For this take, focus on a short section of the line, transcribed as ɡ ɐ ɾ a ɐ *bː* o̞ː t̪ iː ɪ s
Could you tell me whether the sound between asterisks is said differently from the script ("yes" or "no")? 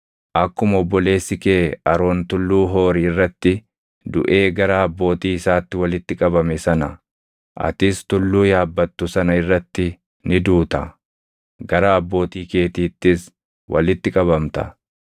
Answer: no